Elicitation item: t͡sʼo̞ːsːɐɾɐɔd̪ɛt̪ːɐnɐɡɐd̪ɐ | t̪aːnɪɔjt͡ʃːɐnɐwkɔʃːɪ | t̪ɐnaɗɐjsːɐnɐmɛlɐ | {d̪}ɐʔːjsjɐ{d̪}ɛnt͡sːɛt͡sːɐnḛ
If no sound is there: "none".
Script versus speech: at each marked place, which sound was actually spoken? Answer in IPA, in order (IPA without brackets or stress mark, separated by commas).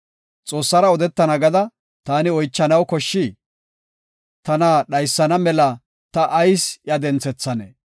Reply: t̪, d̪